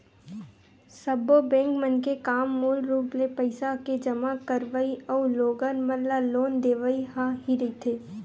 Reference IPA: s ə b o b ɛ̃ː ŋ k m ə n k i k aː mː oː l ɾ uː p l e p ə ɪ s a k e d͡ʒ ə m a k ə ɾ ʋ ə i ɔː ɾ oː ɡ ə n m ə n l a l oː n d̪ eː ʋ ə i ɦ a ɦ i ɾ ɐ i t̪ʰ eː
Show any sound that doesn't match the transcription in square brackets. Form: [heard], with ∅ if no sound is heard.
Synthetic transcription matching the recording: s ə b o b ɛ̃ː ŋ k m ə n k [e] k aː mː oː l ɾ uː p l e p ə ɪ s a k e d͡ʒ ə m a k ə ɾ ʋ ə i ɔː [l] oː ɡ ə n m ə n l a l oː n d̪ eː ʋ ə i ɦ a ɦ i ɾ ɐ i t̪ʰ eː